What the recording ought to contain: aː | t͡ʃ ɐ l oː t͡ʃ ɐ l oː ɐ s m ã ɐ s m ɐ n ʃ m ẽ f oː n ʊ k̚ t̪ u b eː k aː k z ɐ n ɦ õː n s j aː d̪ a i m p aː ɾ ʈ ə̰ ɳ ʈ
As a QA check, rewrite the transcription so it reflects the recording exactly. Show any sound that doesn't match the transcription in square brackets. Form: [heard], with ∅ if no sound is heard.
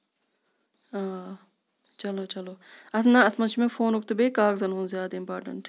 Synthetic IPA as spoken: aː | t͡ʃ ɐ l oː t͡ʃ ɐ l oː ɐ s [n] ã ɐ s m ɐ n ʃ m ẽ f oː n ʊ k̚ t̪ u b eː k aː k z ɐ n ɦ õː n [z] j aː d̪ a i m p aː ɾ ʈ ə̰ ɳ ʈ